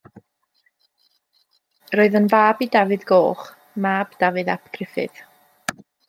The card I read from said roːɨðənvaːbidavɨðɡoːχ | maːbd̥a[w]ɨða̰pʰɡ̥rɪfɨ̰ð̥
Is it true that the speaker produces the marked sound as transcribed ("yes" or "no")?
no